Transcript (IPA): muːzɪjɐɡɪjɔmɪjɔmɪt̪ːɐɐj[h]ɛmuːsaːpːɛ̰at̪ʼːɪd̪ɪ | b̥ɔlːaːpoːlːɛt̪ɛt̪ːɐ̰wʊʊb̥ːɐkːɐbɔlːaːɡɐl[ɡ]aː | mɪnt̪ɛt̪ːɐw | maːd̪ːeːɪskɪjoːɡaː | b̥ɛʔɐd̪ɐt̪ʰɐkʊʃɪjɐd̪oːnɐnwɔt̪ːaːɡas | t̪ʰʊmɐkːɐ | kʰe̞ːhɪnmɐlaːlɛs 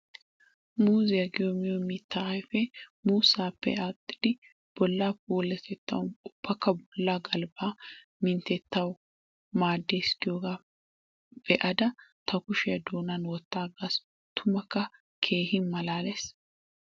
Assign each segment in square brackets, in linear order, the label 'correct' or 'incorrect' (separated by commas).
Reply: incorrect, incorrect